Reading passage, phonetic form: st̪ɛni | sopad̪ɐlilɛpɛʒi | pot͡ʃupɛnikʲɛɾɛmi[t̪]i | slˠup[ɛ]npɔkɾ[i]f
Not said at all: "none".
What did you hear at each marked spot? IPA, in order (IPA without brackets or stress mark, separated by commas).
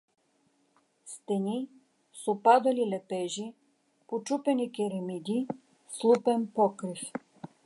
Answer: d̪, ɛ, i